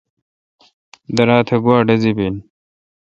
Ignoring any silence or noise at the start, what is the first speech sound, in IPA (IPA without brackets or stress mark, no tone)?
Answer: d̪